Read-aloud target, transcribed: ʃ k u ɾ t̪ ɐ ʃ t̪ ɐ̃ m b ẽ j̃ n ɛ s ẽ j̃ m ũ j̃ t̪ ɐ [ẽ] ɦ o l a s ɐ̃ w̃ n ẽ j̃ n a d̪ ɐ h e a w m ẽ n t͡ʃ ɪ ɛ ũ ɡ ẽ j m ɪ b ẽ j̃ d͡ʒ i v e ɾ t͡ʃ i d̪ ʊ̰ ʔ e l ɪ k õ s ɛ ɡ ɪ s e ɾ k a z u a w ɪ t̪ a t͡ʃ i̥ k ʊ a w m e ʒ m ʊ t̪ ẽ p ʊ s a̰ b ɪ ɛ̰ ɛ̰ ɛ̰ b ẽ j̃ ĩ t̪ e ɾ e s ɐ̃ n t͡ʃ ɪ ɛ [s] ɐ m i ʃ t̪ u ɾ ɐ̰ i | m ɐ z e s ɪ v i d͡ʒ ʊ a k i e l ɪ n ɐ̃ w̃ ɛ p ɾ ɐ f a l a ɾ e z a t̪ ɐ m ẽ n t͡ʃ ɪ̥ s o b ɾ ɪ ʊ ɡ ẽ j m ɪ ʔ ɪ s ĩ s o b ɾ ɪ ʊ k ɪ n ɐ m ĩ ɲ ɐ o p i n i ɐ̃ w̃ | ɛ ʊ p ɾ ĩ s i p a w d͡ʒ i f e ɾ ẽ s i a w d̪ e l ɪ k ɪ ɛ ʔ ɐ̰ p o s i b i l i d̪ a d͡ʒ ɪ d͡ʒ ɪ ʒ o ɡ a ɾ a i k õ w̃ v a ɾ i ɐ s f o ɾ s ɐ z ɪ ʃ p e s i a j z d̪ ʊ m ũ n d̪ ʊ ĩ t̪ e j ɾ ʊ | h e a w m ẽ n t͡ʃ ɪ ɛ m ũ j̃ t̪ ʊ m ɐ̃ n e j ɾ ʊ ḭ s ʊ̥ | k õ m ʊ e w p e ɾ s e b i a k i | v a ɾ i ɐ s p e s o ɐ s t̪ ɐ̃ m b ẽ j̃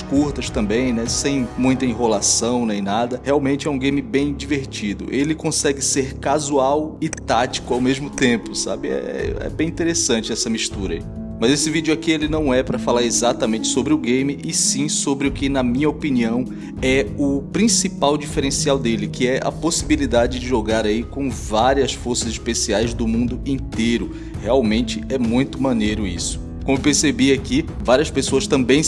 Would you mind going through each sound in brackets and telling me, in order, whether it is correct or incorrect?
incorrect, correct

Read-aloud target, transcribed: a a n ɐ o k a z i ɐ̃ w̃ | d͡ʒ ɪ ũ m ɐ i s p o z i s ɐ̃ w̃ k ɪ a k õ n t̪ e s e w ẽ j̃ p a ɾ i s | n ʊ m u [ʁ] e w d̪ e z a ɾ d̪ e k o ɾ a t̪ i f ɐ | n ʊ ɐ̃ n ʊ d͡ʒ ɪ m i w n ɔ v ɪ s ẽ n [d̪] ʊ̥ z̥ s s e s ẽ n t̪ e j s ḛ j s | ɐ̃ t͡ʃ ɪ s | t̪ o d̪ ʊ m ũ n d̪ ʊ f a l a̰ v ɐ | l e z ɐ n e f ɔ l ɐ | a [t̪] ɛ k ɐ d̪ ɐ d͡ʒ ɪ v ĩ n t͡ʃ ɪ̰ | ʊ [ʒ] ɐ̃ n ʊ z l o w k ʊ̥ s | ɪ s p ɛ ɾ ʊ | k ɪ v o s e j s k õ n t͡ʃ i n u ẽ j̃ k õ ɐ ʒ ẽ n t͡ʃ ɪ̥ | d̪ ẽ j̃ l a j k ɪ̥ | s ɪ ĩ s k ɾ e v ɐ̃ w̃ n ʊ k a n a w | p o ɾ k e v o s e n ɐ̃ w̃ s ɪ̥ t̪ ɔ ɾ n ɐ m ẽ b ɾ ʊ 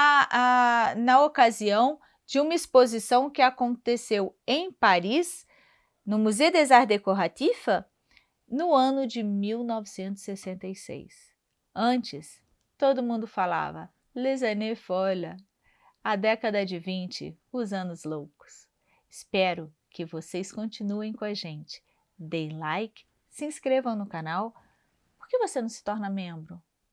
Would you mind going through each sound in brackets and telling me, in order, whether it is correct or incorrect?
incorrect, incorrect, incorrect, incorrect

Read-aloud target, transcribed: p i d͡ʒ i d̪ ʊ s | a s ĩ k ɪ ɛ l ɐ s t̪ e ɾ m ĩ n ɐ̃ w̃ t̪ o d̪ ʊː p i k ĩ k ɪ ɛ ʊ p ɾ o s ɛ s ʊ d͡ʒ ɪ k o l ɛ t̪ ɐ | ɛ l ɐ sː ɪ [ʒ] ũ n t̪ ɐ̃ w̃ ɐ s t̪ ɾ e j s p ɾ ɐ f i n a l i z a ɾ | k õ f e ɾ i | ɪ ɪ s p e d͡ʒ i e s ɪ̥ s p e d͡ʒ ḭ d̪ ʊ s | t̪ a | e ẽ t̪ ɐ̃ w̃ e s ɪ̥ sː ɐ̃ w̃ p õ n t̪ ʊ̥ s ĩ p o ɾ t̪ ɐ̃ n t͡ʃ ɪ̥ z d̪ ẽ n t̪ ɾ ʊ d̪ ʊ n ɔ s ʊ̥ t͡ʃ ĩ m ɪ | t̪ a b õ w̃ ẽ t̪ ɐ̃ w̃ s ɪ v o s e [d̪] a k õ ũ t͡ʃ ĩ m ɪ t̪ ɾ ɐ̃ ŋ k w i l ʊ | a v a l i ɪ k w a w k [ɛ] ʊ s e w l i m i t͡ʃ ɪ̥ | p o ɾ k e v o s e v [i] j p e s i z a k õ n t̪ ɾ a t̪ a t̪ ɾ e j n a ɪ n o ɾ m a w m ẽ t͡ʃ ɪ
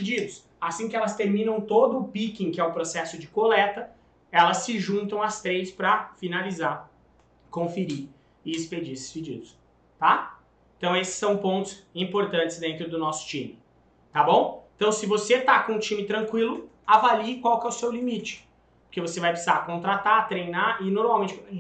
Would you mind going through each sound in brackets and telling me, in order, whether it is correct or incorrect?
correct, incorrect, correct, incorrect

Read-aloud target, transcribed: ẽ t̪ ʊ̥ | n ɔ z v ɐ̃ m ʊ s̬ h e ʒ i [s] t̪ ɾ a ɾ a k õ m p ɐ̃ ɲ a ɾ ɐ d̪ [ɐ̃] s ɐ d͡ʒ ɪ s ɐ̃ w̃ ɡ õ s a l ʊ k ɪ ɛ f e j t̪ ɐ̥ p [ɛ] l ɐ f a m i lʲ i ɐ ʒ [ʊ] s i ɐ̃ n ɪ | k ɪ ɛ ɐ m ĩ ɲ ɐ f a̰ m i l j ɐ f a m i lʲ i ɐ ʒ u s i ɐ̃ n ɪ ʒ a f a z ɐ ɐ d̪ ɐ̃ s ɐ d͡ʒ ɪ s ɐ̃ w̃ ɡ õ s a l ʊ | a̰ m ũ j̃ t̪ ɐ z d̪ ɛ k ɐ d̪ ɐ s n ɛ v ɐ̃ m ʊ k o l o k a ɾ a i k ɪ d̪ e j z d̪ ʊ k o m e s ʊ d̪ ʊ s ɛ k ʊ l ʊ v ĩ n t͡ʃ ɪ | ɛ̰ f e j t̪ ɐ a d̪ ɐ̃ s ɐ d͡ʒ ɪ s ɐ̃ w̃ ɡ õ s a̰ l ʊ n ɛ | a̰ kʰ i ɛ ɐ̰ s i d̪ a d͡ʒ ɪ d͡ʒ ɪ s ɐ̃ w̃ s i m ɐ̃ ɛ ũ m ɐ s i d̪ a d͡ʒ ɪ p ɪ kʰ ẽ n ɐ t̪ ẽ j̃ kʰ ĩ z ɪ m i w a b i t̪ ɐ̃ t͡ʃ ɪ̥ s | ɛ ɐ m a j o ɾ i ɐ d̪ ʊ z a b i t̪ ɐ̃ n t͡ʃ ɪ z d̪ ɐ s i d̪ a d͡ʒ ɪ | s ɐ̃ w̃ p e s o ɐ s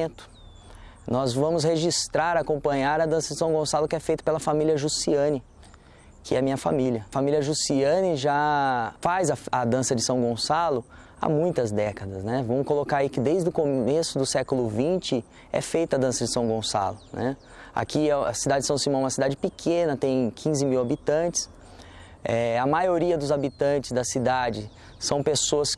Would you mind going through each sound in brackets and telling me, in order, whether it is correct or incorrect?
correct, correct, incorrect, incorrect

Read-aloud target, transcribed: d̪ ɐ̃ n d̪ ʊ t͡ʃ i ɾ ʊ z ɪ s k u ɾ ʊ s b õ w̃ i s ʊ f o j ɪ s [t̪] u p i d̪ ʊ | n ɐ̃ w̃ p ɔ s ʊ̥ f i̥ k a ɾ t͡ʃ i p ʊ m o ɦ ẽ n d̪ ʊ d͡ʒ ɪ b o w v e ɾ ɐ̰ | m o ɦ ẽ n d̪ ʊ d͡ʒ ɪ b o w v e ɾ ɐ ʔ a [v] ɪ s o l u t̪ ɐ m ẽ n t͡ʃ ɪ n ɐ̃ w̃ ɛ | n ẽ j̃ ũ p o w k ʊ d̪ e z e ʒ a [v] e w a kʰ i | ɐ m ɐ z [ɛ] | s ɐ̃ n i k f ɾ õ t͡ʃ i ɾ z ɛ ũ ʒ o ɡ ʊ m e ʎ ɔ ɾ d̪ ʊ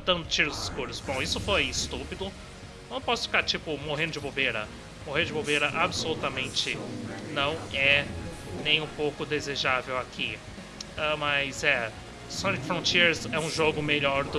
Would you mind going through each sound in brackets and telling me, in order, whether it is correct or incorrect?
correct, incorrect, correct, correct

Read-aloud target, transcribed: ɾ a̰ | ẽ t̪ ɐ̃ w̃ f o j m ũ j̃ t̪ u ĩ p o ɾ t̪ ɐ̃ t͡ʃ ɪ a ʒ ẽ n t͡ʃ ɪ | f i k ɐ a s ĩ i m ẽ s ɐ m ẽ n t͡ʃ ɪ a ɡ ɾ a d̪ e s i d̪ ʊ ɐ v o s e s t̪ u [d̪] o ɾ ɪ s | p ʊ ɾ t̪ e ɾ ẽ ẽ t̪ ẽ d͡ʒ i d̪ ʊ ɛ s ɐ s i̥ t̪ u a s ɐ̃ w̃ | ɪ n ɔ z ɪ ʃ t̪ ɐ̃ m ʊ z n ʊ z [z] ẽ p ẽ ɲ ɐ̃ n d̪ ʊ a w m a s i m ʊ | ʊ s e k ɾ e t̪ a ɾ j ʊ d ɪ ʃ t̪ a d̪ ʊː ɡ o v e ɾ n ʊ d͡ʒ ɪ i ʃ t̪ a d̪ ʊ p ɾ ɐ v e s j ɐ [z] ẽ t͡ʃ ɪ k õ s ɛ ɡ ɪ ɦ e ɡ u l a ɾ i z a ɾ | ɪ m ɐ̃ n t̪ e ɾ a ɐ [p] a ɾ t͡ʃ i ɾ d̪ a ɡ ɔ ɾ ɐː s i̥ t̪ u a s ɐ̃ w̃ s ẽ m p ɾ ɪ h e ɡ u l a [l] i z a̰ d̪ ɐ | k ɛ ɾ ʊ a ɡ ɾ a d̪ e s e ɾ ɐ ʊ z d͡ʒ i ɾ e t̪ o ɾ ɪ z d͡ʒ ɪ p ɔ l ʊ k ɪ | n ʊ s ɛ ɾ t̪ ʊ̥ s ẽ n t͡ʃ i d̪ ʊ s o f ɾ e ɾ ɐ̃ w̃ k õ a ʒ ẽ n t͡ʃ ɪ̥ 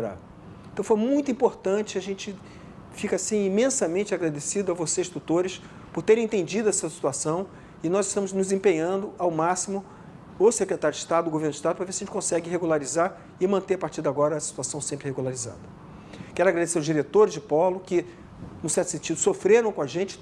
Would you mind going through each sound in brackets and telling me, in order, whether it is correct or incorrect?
incorrect, correct, incorrect, correct, incorrect

